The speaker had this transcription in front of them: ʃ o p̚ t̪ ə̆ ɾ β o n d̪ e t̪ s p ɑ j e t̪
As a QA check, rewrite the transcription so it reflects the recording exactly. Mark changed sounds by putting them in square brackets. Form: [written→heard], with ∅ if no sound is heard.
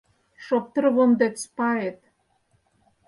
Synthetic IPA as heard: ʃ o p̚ t̪ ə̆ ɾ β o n d̪ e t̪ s p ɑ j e t̪